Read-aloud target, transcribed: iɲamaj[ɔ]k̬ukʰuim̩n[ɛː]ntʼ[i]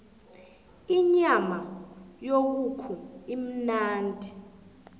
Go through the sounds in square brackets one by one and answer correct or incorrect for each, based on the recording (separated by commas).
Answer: incorrect, incorrect, correct